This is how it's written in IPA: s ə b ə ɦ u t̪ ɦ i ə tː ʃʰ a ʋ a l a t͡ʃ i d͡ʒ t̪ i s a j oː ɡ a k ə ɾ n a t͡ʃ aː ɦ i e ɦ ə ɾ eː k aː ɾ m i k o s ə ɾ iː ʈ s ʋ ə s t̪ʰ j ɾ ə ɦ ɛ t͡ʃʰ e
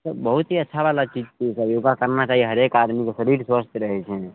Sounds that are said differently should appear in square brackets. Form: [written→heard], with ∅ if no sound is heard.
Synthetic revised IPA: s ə b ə ɦ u t̪ ɦ i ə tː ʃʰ a ʋ a l a t͡ʃ i d͡ʒ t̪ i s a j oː ɡ a k ə ɾ n a t͡ʃ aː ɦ i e ɦ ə ɾ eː k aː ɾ m i k o s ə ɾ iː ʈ s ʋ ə s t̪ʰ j ɾ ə ɦ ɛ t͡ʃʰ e